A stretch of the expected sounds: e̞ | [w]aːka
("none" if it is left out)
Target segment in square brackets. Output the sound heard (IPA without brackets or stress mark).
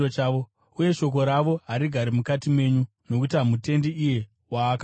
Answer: w